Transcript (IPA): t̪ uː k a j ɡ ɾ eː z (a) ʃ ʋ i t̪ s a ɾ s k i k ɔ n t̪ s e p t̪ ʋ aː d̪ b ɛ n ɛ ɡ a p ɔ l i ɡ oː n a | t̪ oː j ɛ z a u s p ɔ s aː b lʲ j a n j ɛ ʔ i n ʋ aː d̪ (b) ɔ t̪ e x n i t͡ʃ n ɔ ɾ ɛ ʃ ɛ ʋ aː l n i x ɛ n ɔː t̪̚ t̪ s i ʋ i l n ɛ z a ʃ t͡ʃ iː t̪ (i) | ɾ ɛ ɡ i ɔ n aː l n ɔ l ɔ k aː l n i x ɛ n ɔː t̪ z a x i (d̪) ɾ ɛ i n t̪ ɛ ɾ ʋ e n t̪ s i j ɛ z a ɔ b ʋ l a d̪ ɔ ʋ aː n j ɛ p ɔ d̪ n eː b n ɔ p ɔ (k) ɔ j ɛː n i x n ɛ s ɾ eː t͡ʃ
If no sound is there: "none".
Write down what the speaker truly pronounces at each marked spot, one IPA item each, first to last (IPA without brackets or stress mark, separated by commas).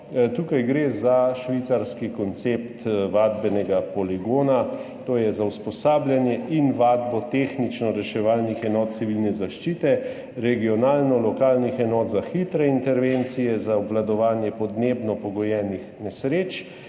a, b, ɛ, t̪, ɡ